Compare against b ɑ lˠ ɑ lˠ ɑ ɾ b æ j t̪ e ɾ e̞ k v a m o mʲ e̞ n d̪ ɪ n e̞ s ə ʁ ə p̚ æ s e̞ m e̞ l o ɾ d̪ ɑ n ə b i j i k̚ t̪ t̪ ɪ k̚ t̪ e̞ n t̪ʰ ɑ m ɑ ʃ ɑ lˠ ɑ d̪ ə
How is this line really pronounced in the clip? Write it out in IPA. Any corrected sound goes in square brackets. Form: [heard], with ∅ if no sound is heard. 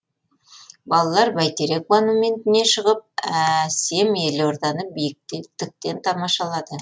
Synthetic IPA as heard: b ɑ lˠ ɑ lˠ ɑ ɾ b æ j t̪ e ɾ e̞ k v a [n] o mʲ e̞ n [t̪] ɪ n e̞ [ʃ] ə ʁ ə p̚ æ s e̞ m e̞ l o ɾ d̪ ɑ n ə b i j [ɪ] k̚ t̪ t̪ ɪ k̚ t̪ e̞ n t̪ʰ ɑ m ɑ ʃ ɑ lˠ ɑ d̪ ə

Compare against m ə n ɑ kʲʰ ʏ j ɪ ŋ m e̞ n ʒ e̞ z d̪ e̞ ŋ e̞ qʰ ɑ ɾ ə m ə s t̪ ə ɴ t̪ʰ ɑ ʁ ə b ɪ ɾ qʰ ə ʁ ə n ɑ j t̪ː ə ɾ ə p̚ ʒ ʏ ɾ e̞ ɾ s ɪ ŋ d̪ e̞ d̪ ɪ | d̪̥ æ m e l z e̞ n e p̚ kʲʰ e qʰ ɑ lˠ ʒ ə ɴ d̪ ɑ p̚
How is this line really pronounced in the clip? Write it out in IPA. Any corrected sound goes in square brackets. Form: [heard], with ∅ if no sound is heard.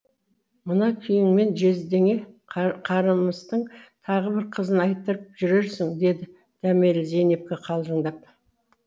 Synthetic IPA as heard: m ə n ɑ kʲʰ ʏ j ɪ ŋ m e̞ n ʒ e̞ z d̪ e̞ ŋ e̞ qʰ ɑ ɾ ə m ə s t̪ ə ɴ t̪ʰ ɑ ʁ ə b ɪ ɾ qʰ ə [z] ə n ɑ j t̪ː ə ɾ ə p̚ ʒ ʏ ɾ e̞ ɾ s ɪ ŋ d̪ e̞ d̪ ɪ | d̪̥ æ m e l z e̞ n e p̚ [kʲ] e qʰ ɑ lˠ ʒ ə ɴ d̪ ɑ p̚

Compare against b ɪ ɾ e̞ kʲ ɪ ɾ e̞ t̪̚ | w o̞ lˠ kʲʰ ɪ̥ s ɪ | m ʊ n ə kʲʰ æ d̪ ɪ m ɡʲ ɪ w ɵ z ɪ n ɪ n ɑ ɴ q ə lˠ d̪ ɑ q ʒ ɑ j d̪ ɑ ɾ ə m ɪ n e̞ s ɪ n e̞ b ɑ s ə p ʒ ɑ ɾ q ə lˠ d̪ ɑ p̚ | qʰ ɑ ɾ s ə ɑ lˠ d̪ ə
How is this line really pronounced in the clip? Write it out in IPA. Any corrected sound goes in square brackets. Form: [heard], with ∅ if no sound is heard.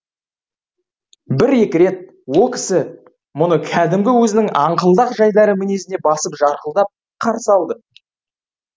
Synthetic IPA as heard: b ɪ ɾ e̞ kʲ ɪ ɾ e̞ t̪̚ | w o̞ lˠ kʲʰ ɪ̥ s ɪ | m ʊ n ə kʲʰ æ d̪ ɪ m ɡʲ ɪ w ɵ z ɪ n ɪ [ŋ] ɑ ɴ q ə lˠ d̪ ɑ q ʒ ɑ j d̪ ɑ ɾ ə m ɪ n e̞ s ɪ n e̞ b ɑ s ə p ʒ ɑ ɾ q ə lˠ d̪ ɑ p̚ | qʰ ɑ ɾ s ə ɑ lˠ d̪ ə

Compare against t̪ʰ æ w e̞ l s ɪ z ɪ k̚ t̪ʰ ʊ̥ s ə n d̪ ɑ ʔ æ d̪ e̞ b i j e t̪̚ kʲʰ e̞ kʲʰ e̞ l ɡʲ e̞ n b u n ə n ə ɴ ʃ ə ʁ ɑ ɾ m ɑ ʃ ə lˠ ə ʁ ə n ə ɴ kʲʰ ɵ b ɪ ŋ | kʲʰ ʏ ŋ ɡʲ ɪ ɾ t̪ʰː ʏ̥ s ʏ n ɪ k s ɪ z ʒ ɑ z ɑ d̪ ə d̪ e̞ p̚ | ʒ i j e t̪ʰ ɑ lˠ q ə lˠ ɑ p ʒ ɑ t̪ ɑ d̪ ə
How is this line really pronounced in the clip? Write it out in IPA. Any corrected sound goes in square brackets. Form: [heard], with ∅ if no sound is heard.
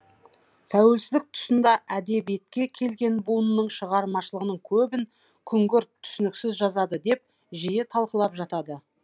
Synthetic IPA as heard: t̪ʰ æ w e̞ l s ɪ z ɪ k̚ t̪ʰ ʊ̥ s ə n d̪ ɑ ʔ æ d̪ e̞ b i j e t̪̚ [kʲ] e̞ kʲʰ e̞ l ɡʲ e̞ n b u n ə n ə ɴ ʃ ə ʁ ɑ ɾ m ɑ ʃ ə lˠ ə ʁ ə n ə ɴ kʲʰ ɵ b ɪ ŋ | kʲʰ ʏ ŋ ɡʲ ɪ ɾ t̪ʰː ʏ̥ s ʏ n ɪ k s ɪ z ʒ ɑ z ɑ d̪ ə d̪ e̞ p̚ | ʒ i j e t̪ʰ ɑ lˠ q ə lˠ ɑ p ʒ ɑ t̪ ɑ d̪ ə

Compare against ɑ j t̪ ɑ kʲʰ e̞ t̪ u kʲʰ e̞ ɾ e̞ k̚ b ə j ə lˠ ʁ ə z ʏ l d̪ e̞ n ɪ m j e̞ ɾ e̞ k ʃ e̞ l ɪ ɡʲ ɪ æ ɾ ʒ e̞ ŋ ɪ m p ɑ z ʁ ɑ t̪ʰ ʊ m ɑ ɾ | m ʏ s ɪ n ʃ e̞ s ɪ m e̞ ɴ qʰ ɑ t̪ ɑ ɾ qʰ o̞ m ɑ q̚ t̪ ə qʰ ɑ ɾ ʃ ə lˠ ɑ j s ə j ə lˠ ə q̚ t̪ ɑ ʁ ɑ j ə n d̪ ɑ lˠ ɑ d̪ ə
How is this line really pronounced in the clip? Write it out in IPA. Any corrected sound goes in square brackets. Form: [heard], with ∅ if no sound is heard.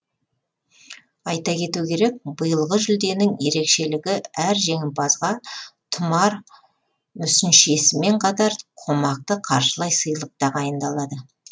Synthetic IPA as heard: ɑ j t̪ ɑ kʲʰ e̞ t̪ u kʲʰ e̞ ɾ e̞ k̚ b ə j ə lˠ ʁ ə [ʒ] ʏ l d̪ e̞ n ɪ [ŋ] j e̞ ɾ e̞ k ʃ e̞ l ɪ ɡʲ ɪ æ ɾ ʒ e̞ ŋ ɪ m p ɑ z ʁ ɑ t̪ʰ ʊ m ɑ ɾ | m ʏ s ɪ n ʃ e̞ s ɪ m e̞ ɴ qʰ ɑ t̪ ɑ ɾ qʰ o̞ m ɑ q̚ t̪ ə qʰ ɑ ɾ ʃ ə lˠ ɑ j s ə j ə lˠ ə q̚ t̪ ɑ ʁ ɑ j ə n d̪ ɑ lˠ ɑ d̪ ə

